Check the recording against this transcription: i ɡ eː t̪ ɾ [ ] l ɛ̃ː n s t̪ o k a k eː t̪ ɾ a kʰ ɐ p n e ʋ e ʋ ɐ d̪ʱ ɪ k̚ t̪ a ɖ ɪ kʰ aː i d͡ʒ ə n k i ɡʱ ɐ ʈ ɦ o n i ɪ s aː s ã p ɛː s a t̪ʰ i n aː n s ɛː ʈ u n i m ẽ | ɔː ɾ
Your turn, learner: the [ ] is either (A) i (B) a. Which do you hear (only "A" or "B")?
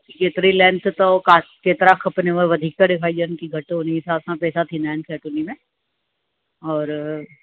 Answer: A